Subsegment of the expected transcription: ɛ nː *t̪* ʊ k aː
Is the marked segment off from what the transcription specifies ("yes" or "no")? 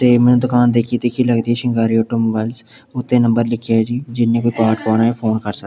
yes